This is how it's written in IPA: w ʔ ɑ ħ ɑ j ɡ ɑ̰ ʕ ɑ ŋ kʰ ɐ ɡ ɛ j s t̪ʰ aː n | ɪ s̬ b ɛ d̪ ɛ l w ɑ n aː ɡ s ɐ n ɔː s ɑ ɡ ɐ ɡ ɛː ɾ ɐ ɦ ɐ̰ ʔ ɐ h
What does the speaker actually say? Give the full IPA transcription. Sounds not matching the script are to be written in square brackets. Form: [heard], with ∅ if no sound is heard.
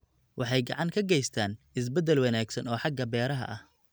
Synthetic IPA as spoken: w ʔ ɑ ħ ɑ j ɡ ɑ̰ ʕ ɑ ŋ kʰ ɐ ɡ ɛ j s t̪ʰ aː n | ɪ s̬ b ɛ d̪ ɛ l w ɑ n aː ɡ s ɐ n ɔː [ħ] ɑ ɡ ɐ [b] ɛː ɾ ɐ ɦ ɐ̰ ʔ ɐ h